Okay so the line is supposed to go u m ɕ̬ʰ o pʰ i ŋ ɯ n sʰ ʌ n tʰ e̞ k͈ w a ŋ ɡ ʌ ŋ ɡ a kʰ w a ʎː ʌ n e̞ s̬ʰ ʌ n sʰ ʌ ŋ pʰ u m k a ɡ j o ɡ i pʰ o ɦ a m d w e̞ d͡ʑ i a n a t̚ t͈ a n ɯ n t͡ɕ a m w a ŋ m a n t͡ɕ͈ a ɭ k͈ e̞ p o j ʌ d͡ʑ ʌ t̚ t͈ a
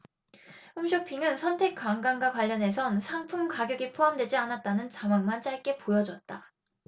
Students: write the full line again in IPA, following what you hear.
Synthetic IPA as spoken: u m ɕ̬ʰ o pʰ i ŋ ɯ n sʰ ʌ n tʰ e̞ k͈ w a ŋ ɡ a ŋ ɡ a k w a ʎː ʌ n e̞ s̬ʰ ʌ n sʰ a ŋ pʰ u m k a ɡ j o ɡ i pʰ o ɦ a m d w e̞ d͡ʑ i a n a t̚ t͈ a n ɯ n t͡ɕ a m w a ŋ m a n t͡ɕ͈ a ɭ k͈ e̞ p o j ʌ d͡ʑ ʌ t̚ t͈ a